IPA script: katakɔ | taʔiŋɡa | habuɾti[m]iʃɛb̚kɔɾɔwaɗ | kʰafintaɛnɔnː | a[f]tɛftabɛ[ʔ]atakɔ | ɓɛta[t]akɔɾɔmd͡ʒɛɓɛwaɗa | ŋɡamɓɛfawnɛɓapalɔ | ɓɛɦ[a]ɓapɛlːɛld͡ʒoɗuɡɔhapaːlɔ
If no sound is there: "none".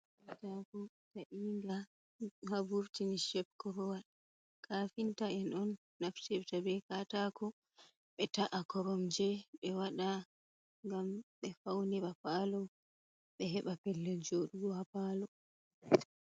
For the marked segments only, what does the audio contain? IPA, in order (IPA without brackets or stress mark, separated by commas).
n, f, k, ʔ, ɛ